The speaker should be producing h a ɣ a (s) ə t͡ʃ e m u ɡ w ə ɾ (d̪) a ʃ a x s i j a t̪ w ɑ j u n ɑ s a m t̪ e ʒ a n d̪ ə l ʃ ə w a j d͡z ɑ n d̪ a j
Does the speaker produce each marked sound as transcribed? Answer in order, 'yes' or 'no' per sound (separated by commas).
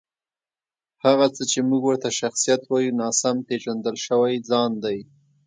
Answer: no, no